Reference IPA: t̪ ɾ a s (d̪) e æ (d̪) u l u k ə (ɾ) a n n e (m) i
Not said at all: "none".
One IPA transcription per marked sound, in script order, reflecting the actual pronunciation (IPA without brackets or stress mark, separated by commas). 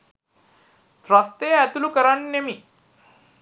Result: t̪, t̪, ɾ, m